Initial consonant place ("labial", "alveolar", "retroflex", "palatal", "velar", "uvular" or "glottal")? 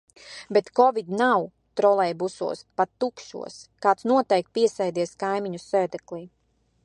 labial